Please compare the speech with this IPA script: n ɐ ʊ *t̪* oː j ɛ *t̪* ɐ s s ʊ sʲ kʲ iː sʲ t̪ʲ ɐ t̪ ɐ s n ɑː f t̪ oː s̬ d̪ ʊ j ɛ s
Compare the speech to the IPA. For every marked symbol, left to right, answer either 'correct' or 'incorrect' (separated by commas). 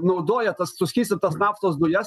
incorrect, correct